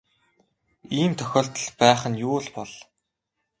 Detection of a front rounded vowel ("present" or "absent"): present